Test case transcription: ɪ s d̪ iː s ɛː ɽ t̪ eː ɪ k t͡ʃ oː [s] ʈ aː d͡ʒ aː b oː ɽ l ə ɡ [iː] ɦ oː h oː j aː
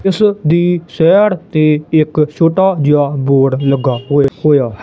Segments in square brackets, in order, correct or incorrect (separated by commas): incorrect, incorrect